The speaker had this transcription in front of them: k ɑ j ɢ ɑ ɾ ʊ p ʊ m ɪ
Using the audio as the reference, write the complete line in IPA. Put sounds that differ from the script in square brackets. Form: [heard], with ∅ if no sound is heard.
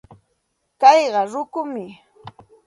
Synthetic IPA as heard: k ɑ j ɢ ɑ ɾ ʊ [k] ʊ m ɪ